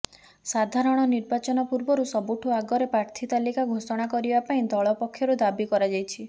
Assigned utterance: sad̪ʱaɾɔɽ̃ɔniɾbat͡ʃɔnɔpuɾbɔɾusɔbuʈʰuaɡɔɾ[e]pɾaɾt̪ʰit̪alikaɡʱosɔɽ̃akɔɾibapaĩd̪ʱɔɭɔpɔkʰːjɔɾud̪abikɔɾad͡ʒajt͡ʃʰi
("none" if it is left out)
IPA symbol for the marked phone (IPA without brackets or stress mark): e